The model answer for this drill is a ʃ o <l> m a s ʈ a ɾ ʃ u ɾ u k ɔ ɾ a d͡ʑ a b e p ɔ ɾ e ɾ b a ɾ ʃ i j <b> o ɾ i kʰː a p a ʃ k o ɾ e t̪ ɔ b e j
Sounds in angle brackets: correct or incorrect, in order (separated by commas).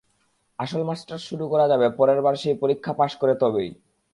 correct, incorrect